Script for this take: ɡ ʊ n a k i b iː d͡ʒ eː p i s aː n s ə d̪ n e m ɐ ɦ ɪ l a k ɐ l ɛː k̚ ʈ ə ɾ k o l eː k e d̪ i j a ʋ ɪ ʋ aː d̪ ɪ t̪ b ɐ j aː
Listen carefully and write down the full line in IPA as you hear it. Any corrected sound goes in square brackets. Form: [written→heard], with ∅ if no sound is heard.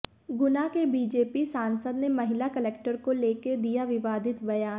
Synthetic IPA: ɡ ʊ n a k [i→e] b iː d͡ʒ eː p i s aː n s ə d̪ n e m ɐ ɦ ɪ l a k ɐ l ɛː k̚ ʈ ə ɾ k o l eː k e d̪ i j a ʋ ɪ ʋ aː d̪ ɪ t̪ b ɐ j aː

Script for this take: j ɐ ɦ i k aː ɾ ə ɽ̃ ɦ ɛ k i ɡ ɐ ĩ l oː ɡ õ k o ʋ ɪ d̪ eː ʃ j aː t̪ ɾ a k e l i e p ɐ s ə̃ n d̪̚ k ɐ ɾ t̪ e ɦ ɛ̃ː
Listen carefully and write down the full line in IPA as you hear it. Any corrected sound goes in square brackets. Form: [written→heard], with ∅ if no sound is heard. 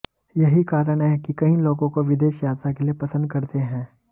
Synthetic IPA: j ɐ ɦ i k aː ɾ ə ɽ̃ ɦ ɛ k i [ɡ→k] ɐ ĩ l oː ɡ õ k o ʋ ɪ d̪ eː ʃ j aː t̪ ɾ a k e l i e p ɐ s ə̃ n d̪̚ k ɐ ɾ t̪ e ɦ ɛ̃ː

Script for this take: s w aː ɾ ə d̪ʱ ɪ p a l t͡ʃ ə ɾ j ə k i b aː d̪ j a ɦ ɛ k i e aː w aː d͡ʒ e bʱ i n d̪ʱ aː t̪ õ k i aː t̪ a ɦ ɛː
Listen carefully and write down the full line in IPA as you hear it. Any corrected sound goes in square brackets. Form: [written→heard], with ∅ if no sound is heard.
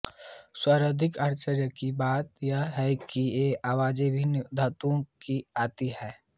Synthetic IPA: s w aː ɾ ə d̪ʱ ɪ [p→k] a [l→ɾ] t͡ʃ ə ɾ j ə k i b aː [d̪→t̪] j a ɦ ɛ k i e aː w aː d͡ʒ e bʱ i n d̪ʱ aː t̪ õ k i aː t̪ [a→i] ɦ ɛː

